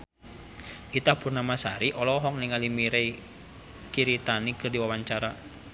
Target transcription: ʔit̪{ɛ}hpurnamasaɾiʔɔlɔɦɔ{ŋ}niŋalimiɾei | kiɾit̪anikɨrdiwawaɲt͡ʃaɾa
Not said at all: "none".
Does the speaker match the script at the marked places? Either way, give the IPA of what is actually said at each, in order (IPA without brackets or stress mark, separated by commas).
a, ŋ